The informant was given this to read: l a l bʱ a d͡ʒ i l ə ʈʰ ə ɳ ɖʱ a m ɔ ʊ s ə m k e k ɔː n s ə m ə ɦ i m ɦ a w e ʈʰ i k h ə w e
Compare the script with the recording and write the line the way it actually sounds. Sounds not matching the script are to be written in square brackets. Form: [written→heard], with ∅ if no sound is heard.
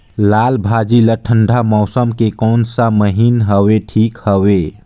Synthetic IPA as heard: l a l bʱ a d͡ʒ i l ə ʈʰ ə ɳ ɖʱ a m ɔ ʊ s ə m k e k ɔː n s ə m ə ɦ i [m→n] ɦ [a→ə] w e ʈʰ i k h ə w e